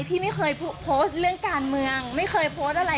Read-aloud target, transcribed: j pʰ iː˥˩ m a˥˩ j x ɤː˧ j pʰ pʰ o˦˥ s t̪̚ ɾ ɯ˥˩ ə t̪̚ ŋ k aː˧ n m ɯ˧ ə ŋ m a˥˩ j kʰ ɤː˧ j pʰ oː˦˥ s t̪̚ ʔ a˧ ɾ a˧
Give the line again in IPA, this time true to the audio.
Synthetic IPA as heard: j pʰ iː˥˩ m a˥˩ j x ɤː˧ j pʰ pʰ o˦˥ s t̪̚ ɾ ɯ˥˩ ə ŋ k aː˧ n m ɯ˧ ə ŋ m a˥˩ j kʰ ɤː˧ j pʰ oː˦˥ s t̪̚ ʔ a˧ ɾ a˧

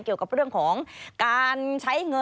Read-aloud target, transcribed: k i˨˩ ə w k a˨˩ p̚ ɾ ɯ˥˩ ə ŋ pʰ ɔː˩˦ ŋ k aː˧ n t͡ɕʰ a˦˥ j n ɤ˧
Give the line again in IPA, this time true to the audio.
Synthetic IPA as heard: k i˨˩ ə w k a˨˩ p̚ ɾ ɯ˥˩ ə ŋ kʰ ɔː˩˦ ŋ k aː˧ n t͡ɕʰ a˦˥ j ŋ ɤ˧

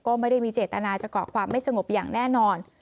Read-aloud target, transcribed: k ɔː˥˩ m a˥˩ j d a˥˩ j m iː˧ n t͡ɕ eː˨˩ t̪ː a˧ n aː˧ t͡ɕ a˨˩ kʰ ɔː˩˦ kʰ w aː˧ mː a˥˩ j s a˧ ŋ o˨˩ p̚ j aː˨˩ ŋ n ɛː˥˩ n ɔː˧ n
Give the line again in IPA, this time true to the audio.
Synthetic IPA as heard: k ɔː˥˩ m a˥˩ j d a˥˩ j m iː˧ t͡ɕ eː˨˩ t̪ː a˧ n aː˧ t͡ɕ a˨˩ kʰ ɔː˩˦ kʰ w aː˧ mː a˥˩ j s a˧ ŋ o˨˩ p̚ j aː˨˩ ŋ n ɛː˥˩ n ɔː˧ n

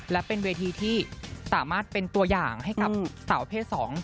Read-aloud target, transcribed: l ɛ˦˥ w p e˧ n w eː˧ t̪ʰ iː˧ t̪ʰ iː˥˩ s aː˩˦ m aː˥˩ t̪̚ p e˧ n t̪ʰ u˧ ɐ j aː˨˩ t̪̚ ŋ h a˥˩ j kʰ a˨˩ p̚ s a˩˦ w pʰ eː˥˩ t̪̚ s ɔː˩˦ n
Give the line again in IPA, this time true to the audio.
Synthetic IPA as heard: l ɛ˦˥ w p e˧ n w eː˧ t̪ʰ iː˧ t̪ʰ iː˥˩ s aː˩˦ m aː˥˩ t̪̚ p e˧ n t̪ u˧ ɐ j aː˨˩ ŋ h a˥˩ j k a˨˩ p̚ s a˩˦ w pʰ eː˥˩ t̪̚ s ɔː˩˦ ŋ

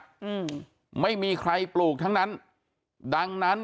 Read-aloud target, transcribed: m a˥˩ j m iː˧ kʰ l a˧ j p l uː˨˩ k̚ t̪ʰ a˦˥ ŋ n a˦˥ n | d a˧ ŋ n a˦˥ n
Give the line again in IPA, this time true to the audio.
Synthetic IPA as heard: m a˥˩ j m iː˧ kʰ ɾ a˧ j p l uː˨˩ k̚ t̪ʰ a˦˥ ŋ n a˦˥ n | d a˧ ŋ n a˦˥ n

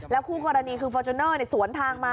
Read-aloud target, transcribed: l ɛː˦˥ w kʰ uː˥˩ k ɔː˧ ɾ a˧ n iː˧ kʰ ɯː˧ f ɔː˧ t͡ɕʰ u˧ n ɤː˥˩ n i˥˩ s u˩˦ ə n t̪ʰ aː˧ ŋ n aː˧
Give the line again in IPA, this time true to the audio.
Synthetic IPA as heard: l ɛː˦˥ w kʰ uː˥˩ k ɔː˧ ɾ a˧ n iː˧ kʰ ɯː˧ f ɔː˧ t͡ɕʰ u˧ n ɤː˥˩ n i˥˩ s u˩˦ ə n t̪ʰ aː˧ ŋ m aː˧

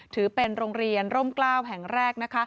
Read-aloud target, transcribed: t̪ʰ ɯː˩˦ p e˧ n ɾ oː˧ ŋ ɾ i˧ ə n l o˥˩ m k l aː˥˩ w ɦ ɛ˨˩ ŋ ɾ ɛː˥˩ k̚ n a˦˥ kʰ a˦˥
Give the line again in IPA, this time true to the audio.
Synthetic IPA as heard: t̪ʰ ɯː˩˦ p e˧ n ɾ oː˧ ŋ ɾ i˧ ə n ɾ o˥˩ m k l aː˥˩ w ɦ ɛ˨˩ ŋ ɾ ɛː˥˩ k̚ n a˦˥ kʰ a˦˥

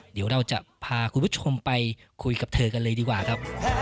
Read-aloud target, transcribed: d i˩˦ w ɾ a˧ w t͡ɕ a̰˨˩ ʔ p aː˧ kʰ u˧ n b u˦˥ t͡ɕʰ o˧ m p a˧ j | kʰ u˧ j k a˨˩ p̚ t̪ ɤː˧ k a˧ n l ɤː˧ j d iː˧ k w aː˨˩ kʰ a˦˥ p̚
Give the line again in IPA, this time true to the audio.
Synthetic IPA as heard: d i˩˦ w ɾ a˧ w t͡ɕ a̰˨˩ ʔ pʰ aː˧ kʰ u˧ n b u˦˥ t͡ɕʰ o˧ m p a˧ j | kʰ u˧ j k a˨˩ p̚ t̪ʰ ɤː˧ k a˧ n l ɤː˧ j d iː˧ k w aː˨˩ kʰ a˦˥ p̚

